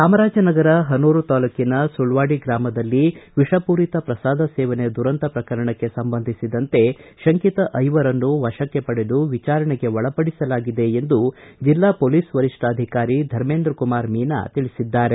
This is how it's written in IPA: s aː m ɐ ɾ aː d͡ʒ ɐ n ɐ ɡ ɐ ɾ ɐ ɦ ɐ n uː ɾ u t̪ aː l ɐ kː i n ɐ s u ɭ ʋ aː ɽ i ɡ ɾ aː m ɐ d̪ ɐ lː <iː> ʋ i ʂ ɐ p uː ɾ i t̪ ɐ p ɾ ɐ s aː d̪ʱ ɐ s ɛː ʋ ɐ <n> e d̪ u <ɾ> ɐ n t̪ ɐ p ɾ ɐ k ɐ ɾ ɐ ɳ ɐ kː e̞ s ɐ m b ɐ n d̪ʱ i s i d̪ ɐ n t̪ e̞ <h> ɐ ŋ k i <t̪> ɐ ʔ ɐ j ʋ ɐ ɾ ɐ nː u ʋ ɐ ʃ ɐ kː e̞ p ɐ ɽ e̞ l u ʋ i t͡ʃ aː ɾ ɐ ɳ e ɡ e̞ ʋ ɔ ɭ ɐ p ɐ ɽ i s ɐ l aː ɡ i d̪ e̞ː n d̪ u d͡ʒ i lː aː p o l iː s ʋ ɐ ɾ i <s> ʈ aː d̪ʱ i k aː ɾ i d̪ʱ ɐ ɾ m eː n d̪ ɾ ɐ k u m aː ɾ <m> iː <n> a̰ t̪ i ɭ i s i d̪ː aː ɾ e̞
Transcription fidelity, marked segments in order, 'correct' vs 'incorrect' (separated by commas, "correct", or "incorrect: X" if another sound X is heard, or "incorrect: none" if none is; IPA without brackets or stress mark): incorrect: i, correct, correct, incorrect: ʃ, correct, incorrect: ʂ, correct, correct